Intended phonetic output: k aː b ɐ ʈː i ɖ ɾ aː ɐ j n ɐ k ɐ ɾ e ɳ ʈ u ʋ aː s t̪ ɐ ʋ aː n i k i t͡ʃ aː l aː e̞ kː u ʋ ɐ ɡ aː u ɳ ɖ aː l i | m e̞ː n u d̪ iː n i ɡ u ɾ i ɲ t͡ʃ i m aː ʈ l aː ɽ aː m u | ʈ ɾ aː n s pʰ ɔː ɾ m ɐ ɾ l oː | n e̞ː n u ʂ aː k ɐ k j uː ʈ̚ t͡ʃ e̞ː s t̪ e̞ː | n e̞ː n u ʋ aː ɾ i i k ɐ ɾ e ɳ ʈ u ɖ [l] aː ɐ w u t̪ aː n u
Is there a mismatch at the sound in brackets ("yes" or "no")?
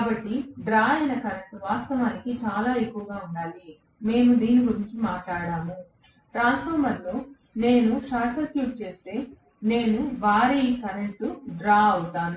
yes